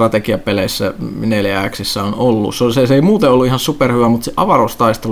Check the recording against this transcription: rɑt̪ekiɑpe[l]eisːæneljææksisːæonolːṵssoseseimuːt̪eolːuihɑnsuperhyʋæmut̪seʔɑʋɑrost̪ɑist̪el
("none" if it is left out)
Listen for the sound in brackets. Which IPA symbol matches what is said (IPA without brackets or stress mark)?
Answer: l